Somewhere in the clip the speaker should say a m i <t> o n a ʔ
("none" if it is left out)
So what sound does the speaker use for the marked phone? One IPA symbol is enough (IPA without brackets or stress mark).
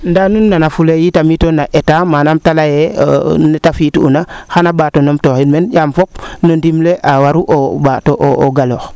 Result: t